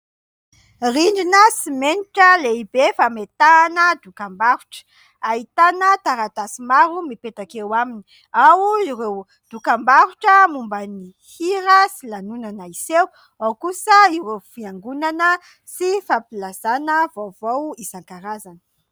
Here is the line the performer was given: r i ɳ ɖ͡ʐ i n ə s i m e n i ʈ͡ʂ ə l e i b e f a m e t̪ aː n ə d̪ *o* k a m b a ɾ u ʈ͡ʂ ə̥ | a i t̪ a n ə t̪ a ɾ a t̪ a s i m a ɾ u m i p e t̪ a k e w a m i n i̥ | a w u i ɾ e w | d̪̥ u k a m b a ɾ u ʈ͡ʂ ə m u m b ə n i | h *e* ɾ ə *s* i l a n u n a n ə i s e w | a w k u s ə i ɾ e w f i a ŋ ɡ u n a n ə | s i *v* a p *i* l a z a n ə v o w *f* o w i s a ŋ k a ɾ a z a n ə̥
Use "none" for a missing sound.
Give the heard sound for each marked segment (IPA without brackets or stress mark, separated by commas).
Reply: u, i, s, f, i, v